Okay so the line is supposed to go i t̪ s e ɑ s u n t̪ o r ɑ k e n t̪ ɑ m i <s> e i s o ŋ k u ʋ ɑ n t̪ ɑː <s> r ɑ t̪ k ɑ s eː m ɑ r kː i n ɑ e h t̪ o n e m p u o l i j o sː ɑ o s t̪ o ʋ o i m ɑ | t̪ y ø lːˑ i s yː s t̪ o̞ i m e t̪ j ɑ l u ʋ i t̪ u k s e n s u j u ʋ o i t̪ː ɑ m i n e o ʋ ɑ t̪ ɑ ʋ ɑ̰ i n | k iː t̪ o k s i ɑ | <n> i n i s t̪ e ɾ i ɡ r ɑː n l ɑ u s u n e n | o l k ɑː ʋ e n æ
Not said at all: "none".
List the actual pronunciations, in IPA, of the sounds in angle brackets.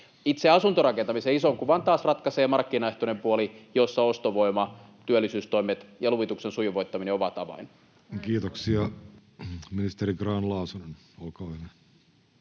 s, s, m

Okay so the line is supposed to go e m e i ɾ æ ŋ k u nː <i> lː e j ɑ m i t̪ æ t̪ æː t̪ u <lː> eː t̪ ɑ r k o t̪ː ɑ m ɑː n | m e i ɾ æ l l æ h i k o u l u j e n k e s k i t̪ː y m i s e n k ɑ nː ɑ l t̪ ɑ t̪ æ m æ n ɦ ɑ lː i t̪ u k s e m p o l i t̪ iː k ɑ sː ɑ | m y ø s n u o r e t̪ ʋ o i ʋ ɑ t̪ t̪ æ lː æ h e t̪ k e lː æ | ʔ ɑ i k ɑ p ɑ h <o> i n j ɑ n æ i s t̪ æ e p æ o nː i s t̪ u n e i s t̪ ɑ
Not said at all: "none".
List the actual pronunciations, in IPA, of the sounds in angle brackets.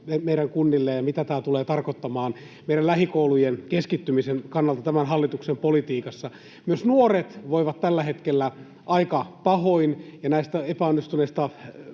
i, l, o

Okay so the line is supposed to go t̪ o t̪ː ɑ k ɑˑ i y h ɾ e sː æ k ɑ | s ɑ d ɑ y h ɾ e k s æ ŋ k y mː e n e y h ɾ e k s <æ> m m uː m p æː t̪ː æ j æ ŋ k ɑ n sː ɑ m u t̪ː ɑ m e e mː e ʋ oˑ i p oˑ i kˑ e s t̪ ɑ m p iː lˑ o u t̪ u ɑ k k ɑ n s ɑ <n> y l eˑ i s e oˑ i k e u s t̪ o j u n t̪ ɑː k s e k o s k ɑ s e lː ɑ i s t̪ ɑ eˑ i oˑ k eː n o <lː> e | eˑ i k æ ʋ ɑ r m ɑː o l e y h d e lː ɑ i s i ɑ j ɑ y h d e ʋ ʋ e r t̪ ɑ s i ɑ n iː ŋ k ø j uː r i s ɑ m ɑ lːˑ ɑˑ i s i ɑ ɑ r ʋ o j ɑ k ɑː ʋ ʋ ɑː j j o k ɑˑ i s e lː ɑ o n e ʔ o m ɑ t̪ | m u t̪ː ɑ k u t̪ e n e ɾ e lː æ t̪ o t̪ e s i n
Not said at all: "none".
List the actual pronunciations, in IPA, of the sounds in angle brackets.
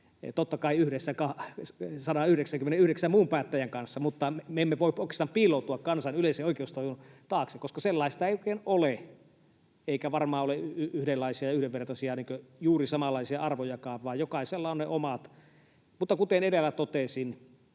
æ, n, l

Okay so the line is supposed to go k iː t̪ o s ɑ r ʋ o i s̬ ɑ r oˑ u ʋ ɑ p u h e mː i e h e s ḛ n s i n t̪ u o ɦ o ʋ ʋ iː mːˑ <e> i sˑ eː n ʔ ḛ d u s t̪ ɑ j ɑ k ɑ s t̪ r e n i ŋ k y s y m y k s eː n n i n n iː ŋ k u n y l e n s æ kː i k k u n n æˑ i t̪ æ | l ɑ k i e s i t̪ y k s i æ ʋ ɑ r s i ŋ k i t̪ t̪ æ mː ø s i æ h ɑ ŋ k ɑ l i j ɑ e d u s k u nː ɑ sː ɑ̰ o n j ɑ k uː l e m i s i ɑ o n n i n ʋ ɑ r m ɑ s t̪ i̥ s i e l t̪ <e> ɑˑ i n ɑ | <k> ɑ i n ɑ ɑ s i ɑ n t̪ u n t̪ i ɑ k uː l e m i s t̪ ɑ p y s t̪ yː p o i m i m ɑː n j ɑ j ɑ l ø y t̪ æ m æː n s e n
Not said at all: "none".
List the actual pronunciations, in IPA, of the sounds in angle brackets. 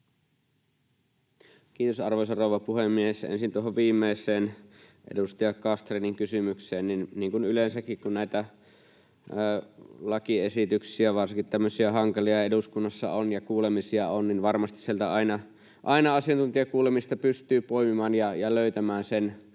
e, æ, ʔ

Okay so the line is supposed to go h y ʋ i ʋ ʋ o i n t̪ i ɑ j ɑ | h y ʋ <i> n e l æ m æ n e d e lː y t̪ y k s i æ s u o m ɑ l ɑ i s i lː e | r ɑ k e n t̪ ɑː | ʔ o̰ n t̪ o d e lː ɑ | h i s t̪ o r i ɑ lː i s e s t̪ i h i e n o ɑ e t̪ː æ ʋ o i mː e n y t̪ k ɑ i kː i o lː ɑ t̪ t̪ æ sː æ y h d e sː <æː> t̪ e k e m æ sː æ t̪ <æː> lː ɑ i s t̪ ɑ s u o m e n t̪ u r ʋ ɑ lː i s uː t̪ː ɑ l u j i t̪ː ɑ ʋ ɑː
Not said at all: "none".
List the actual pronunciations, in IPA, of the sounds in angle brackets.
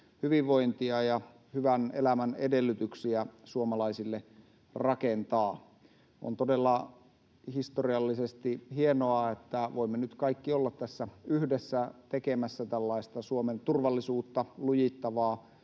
æ, æ, æ

